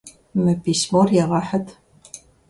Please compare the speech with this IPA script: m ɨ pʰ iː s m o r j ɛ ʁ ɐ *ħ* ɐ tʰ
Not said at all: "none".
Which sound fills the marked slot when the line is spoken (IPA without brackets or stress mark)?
ħ